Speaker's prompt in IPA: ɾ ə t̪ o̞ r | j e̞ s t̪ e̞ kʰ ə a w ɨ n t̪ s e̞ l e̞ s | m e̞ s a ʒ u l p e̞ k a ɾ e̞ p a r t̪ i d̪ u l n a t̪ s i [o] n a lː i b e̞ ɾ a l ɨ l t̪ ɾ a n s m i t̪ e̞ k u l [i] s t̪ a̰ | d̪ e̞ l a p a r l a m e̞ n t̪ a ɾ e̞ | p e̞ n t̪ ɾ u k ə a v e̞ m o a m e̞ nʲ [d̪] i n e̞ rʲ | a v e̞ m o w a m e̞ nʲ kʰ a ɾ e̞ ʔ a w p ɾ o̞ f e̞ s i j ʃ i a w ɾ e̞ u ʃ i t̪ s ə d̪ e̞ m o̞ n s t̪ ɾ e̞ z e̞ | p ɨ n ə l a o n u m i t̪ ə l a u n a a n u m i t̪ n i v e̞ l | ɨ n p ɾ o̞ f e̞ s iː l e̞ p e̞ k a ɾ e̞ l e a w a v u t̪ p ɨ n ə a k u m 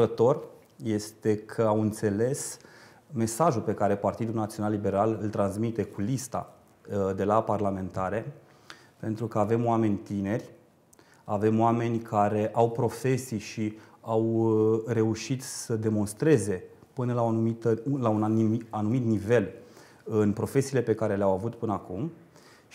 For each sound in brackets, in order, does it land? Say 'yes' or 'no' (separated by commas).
yes, yes, no